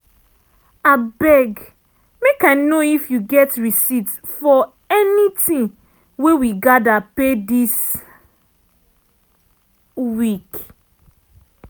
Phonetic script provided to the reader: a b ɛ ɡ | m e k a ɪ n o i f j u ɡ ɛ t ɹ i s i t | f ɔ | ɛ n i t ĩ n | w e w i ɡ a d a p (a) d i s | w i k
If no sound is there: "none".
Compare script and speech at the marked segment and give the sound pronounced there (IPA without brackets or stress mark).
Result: e